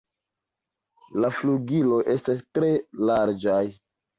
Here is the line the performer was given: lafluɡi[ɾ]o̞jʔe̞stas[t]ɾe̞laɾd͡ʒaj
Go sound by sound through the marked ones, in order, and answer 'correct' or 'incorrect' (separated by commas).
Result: incorrect, correct